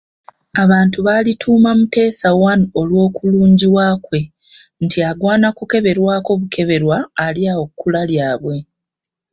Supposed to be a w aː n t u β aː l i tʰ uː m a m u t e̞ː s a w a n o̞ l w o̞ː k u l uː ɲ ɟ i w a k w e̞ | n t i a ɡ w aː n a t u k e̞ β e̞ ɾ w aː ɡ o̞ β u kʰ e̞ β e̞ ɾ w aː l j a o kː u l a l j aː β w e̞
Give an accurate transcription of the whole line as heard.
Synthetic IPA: a β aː n t u β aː l i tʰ uː m a m u t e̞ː s a w a n o̞ l w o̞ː k u l uː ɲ ɟ i w a k w e̞ | n t i a ɡ w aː n a k u k e̞ β e̞ ɾ w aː k o̞ β u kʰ e̞ β e̞ ɾ w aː l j a o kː u l a l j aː β w e̞